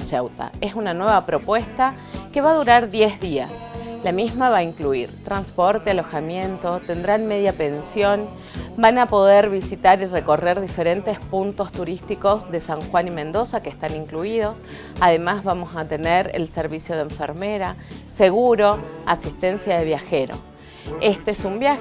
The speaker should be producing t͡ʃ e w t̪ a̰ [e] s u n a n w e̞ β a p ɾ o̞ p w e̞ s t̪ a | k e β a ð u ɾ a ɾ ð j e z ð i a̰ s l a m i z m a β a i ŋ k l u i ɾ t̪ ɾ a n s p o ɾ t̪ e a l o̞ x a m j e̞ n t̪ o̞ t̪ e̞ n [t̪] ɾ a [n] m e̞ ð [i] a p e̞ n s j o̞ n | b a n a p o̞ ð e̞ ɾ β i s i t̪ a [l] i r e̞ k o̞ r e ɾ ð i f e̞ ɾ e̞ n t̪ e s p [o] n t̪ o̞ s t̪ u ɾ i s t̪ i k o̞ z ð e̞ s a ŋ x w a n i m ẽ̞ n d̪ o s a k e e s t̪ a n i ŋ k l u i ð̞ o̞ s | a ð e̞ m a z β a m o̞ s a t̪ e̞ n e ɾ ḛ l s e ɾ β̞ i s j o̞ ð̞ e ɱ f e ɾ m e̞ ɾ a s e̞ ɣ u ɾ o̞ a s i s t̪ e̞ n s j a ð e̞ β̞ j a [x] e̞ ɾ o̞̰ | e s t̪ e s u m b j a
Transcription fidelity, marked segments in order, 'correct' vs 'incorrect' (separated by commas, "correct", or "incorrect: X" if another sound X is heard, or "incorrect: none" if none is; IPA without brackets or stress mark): correct, incorrect: d̪, correct, incorrect: j, incorrect: ɾ, incorrect: u, correct